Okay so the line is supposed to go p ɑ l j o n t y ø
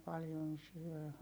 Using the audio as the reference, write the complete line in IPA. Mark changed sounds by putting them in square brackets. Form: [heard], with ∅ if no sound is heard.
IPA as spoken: p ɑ l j o n [s] y ø